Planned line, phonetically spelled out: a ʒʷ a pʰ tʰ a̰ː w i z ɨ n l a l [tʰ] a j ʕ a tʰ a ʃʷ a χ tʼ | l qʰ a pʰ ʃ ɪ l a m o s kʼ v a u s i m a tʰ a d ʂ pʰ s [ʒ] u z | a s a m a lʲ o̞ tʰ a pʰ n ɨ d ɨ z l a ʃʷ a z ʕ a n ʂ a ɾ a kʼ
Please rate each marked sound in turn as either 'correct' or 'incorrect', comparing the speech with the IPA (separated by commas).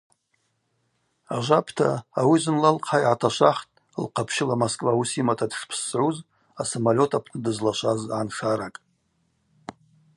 incorrect, incorrect